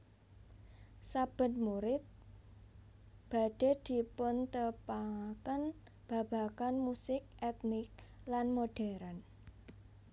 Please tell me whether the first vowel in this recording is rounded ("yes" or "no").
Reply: no